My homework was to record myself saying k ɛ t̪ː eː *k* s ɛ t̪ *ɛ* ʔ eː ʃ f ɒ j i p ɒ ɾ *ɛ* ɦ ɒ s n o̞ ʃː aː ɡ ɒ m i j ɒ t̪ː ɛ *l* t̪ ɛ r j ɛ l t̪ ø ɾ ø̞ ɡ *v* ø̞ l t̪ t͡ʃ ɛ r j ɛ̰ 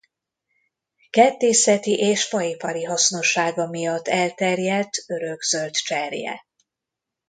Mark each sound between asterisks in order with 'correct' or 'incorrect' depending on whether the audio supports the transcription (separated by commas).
incorrect, incorrect, incorrect, correct, incorrect